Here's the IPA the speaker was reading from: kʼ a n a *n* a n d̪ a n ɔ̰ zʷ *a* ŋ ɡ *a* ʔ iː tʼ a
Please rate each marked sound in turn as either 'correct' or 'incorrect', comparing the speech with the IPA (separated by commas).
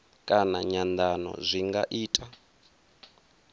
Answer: incorrect, incorrect, correct